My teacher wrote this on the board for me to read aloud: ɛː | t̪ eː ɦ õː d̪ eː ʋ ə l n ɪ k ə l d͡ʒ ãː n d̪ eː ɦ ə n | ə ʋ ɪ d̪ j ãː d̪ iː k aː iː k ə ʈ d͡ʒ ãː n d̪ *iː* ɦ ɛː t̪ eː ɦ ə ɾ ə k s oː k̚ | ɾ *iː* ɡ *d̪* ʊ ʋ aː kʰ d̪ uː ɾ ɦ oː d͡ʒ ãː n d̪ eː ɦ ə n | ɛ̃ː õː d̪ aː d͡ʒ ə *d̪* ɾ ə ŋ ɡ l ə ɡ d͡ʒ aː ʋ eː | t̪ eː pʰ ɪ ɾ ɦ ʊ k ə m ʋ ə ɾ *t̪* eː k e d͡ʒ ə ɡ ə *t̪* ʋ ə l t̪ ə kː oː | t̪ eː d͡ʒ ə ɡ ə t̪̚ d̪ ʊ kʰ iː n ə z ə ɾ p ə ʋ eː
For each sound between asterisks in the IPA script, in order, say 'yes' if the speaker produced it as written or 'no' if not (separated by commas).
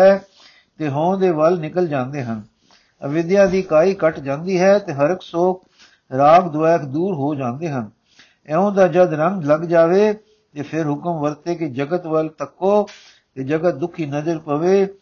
yes, no, yes, yes, yes, yes